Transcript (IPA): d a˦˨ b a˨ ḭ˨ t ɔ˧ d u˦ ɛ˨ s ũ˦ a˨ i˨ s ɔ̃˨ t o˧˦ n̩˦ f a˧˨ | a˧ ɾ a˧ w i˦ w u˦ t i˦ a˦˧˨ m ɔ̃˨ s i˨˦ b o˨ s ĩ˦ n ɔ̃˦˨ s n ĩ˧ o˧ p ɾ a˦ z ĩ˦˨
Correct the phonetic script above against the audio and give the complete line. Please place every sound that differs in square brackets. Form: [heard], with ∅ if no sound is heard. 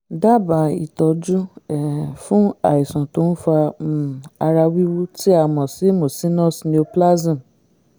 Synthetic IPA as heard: d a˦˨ b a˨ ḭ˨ t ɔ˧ [d͡ʒ] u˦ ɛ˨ [f] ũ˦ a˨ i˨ s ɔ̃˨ t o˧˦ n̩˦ f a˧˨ | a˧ ɾ a˧ w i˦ w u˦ t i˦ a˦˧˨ m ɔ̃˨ s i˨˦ [m] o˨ s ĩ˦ n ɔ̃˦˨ s n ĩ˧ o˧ p [l] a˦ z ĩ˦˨